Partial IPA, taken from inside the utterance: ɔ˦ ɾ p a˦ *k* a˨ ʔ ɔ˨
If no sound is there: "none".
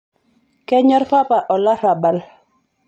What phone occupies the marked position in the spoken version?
p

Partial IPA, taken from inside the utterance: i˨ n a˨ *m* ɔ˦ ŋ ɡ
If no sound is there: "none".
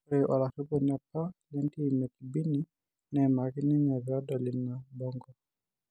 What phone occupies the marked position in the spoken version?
b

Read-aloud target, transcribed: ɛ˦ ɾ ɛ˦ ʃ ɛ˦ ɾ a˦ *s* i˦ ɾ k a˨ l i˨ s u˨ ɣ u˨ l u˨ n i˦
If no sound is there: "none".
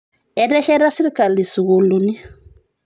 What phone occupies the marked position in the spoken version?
s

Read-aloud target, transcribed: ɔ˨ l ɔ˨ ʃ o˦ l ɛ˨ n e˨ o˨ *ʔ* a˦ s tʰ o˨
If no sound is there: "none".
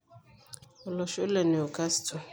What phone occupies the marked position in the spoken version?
k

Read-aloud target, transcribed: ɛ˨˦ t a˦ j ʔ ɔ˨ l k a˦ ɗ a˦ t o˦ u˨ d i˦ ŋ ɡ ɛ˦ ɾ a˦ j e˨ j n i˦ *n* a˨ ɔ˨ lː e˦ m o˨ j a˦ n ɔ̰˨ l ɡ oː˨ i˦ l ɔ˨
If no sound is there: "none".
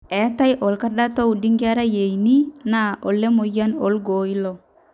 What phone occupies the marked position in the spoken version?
n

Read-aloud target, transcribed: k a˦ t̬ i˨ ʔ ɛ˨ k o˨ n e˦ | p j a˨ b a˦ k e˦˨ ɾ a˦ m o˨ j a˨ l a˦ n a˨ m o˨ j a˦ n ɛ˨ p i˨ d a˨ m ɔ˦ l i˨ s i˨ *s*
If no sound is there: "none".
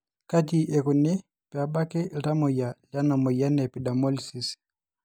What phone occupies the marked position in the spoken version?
s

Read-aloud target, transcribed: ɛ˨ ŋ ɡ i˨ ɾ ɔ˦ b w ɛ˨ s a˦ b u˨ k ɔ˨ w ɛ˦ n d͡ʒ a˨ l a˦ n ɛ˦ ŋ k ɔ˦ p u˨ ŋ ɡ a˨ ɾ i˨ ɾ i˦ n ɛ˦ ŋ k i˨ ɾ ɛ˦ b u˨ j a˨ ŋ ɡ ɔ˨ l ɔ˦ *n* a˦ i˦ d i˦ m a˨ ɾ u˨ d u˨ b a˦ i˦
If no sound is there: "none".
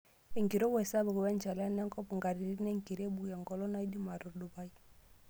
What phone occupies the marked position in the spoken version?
n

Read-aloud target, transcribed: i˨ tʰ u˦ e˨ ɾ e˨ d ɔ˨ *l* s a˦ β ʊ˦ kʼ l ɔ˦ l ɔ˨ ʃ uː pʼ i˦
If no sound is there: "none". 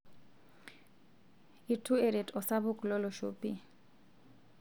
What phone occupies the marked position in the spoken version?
none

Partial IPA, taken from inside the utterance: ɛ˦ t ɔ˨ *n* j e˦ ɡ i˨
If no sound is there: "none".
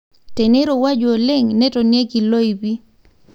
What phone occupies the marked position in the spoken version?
n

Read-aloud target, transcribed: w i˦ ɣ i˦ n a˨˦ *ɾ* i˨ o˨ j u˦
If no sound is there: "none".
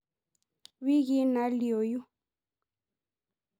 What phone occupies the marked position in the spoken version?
l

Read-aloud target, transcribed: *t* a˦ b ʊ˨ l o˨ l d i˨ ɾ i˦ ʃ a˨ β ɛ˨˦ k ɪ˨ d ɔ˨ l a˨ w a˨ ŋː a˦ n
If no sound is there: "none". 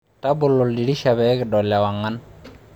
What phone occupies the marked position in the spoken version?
t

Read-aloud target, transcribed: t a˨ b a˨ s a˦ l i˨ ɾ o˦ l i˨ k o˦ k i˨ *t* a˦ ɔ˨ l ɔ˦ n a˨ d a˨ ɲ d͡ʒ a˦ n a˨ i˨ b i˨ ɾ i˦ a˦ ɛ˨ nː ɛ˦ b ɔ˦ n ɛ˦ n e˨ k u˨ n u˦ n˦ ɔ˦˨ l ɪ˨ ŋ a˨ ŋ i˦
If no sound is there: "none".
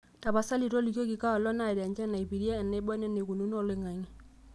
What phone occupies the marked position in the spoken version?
k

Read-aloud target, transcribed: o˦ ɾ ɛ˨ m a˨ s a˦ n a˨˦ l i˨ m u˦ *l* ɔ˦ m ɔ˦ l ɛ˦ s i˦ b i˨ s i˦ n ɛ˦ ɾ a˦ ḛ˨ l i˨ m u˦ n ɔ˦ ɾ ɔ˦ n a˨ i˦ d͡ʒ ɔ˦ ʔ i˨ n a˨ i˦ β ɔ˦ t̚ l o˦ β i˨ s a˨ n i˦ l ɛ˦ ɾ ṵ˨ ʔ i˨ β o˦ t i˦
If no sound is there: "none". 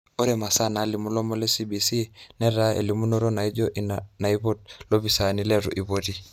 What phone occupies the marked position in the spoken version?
l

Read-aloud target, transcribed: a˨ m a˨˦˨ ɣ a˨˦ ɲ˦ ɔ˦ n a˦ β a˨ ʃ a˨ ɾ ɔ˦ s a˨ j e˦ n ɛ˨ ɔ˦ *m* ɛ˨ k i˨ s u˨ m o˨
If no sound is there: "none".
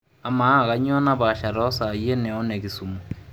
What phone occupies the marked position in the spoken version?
n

